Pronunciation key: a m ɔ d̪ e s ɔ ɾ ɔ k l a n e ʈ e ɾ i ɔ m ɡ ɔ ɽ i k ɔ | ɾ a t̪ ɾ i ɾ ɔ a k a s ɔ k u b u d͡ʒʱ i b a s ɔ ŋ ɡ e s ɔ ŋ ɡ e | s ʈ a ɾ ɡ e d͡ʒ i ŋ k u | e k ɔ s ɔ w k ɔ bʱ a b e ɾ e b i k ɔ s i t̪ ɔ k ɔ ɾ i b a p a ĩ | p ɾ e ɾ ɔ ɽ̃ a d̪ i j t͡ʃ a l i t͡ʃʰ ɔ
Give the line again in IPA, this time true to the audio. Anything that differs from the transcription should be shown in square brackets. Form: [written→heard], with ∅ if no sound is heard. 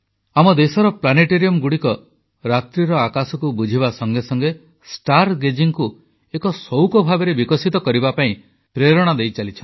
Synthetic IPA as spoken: a m ɔ d̪ e s ɔ ɾ ɔ [k→p] l a n e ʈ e ɾ i ɔ m ɡ [ɔ→u] ɽ i k ɔ | ɾ a t̪ ɾ i ɾ ɔ a k a s ɔ k u b u d͡ʒʱ i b a s ɔ ŋ ɡ e s ɔ ŋ ɡ e | s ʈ a ɾ ɡ e d͡ʒ i ŋ k u | e k ɔ s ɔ w k ɔ bʱ a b e ɾ e b i k ɔ s i t̪ ɔ k ɔ ɾ i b a p a ĩ | p ɾ e ɾ ɔ ɽ̃ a d̪ [i→e] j t͡ʃ a l i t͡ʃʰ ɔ